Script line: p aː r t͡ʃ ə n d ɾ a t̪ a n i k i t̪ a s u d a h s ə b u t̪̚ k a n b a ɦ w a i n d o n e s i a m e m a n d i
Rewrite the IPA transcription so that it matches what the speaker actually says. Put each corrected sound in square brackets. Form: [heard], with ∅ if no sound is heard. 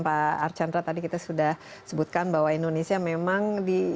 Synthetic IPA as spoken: p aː r t͡ʃ [a] n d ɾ a t̪ a [d] i k i t̪ a s u d a h s ə b u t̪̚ k a n b a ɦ w a i n d o n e s i a m e m a [ŋ] d i